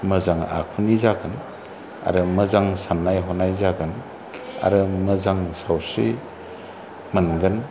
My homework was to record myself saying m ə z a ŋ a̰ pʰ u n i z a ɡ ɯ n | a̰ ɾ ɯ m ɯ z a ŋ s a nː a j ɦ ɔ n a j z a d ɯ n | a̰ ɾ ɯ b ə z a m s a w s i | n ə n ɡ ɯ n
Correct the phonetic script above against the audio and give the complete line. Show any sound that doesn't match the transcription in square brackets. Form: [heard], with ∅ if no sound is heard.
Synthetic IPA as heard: m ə z a ŋ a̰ [kʰ] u n i z a ɡ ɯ n | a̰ ɾ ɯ m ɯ z a ŋ s a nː a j ɦ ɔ n a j z a [ɡ] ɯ n | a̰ ɾ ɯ [m] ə z a [ŋ] s a w s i | [m] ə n ɡ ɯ n